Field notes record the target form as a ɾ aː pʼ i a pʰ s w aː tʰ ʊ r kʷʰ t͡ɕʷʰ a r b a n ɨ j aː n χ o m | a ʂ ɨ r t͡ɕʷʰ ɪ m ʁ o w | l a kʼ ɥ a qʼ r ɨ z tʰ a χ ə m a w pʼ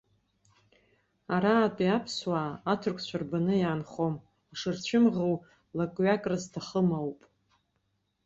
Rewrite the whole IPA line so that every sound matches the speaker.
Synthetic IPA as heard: a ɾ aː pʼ i a pʰ s w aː tʰ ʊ r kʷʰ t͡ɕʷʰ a r b a n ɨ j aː n χ o m | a ʂ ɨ r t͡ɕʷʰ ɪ m ʁ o w | l a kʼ ɥ a kʼ r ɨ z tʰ a χ ə m a w pʼ